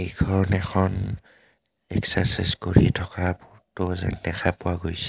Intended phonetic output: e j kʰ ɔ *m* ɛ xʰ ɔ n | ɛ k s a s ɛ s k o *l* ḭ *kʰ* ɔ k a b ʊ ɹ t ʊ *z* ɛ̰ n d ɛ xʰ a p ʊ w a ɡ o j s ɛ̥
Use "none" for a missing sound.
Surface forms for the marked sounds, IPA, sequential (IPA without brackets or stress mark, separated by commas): n, ɹ, tʰ, z